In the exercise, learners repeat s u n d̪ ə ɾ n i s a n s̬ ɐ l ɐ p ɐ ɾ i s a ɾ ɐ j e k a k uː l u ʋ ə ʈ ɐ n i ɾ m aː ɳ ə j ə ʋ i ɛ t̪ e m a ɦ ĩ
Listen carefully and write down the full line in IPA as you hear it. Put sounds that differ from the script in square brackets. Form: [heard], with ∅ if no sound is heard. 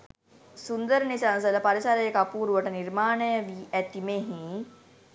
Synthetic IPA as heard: s u n d̪ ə ɾ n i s a n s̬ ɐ l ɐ p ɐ ɾ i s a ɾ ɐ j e k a [p] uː [ɾ] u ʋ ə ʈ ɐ n i ɾ m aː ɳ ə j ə ʋ i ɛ t̪ [i] m [e] ɦ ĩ